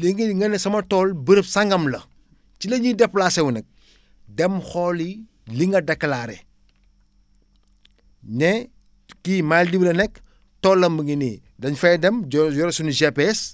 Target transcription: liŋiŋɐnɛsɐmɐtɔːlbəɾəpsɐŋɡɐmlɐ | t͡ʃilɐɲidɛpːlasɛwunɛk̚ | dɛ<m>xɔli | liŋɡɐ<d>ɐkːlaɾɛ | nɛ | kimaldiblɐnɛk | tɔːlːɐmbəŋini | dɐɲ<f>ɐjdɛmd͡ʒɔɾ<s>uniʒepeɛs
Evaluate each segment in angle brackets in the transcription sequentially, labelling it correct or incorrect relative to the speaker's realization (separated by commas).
correct, correct, correct, correct